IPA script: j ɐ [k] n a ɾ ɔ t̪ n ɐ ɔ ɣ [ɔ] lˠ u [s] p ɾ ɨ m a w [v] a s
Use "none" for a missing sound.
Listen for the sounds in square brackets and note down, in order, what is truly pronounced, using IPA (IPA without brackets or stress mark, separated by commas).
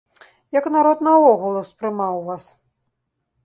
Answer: k, u, s, v